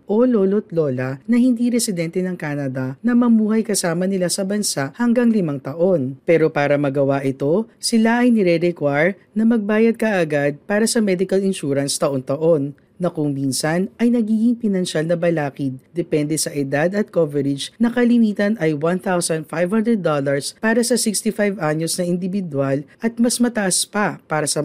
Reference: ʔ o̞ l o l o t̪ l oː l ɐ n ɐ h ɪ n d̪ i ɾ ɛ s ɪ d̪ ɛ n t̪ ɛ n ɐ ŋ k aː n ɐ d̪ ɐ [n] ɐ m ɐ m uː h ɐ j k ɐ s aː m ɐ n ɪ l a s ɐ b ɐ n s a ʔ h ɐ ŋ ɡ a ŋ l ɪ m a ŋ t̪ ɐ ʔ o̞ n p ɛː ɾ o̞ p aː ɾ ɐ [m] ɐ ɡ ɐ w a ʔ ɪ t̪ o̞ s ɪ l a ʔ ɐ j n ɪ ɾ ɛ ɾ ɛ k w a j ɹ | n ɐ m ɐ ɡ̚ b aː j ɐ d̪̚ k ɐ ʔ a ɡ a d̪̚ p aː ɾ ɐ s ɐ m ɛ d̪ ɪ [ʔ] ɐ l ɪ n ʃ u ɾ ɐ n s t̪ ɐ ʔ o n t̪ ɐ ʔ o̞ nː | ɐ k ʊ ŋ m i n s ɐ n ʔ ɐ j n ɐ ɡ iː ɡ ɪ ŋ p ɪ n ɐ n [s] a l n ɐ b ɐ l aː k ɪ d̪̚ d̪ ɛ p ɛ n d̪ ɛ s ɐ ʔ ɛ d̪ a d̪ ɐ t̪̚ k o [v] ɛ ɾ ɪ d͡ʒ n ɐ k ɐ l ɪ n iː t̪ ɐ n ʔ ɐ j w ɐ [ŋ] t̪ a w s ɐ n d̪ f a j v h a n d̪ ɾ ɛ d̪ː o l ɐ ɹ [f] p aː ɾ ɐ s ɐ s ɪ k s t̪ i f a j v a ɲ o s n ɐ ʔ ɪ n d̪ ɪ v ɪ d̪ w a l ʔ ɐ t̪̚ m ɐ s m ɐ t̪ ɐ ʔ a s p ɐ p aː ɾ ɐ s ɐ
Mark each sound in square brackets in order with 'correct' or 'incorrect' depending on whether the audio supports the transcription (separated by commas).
correct, correct, incorrect, incorrect, correct, incorrect, incorrect